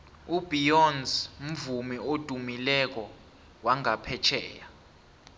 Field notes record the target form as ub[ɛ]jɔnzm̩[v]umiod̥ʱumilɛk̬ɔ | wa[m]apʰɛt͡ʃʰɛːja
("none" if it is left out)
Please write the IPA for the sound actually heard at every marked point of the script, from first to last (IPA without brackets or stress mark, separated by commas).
i, v, ŋ